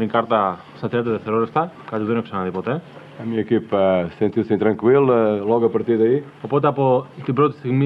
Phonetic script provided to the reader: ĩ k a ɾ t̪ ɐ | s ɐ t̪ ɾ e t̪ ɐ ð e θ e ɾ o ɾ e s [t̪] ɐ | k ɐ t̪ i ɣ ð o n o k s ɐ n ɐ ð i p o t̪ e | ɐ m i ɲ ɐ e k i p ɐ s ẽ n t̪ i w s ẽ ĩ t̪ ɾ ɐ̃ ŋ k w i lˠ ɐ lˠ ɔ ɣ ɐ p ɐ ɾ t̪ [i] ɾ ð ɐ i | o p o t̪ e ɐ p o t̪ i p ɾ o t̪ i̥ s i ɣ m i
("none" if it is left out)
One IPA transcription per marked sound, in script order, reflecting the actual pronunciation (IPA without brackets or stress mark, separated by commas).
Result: t̪, i